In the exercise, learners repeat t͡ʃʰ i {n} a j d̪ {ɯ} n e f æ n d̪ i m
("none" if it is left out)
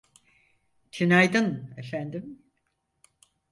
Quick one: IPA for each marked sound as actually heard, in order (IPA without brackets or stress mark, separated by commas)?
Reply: n, ɯ